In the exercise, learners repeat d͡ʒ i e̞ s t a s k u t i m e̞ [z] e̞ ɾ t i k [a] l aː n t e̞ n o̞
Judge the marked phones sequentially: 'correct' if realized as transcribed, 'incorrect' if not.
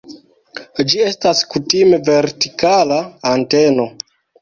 incorrect: v, correct

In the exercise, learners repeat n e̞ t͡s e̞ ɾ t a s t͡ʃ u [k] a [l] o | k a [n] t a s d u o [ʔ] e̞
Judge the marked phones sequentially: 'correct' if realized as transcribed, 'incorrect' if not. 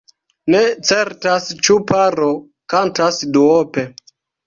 incorrect: p, incorrect: ɾ, correct, incorrect: p

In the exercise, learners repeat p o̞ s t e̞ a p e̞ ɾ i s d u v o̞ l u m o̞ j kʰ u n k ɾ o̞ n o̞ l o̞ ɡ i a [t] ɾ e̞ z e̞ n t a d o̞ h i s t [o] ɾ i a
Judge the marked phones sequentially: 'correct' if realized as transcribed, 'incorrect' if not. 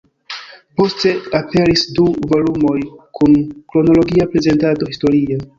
incorrect: p, correct

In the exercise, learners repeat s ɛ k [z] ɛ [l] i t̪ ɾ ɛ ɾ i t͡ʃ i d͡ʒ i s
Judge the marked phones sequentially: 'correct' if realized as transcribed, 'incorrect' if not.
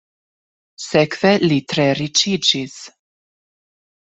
incorrect: v, correct

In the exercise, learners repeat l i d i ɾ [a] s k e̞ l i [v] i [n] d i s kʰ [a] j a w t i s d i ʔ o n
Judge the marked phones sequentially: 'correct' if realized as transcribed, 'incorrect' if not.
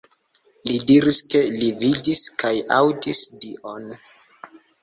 incorrect: i, correct, incorrect: none, correct

